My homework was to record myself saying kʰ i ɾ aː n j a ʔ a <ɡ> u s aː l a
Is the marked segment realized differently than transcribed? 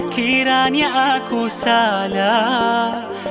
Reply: yes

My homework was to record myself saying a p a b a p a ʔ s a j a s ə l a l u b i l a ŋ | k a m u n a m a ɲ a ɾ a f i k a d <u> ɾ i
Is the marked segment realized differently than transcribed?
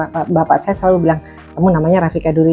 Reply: no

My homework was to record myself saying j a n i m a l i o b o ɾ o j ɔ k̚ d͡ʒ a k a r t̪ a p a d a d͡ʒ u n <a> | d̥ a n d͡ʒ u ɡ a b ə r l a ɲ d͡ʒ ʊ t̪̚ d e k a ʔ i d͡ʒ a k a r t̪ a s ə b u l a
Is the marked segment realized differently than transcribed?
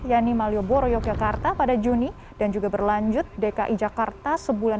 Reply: yes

